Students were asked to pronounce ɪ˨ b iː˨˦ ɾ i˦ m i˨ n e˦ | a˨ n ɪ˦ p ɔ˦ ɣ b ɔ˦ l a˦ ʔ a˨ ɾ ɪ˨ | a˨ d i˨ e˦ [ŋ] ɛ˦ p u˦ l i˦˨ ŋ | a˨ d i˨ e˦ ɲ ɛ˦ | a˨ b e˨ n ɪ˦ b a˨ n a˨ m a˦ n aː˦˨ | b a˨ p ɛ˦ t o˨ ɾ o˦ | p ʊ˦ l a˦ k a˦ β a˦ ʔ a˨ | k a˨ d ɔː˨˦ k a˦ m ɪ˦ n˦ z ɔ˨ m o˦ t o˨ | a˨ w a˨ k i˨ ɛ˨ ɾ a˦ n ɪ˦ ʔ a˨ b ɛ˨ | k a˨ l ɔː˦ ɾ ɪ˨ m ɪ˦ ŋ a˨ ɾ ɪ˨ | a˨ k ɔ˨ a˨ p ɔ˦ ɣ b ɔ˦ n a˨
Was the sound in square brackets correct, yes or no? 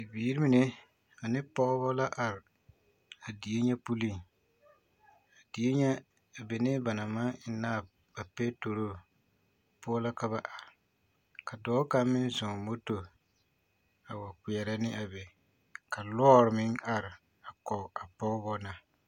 no